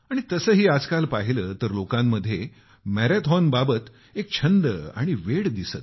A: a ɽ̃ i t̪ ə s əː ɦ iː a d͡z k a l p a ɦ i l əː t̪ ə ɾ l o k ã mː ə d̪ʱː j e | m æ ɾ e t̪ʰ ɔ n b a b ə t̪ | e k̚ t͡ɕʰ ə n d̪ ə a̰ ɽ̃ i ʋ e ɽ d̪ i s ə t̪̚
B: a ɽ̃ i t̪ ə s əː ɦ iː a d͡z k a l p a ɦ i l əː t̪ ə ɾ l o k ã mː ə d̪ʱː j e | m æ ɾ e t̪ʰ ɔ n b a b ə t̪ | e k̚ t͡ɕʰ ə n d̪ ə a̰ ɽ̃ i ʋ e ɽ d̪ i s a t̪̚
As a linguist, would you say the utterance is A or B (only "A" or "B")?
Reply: A